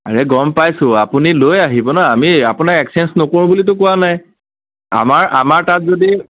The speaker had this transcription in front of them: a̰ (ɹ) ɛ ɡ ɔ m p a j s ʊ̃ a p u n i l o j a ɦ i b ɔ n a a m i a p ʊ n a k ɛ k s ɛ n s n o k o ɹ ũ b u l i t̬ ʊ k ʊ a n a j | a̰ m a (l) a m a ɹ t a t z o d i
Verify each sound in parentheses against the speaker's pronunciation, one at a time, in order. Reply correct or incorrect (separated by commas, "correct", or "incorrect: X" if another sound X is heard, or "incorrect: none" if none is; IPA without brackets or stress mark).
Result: correct, incorrect: ɹ